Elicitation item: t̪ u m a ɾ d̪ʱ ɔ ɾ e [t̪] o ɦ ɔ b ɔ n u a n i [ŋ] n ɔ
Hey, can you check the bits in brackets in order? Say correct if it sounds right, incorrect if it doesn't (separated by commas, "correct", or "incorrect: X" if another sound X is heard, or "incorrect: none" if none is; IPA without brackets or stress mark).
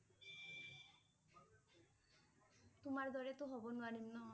correct, incorrect: m